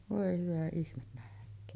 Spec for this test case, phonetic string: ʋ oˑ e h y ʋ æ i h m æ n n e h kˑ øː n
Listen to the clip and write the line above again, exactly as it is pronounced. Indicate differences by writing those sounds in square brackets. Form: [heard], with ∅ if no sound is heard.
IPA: ʋ oˑ e h y ʋ æ i h m [e] n n [æ] h kˑ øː n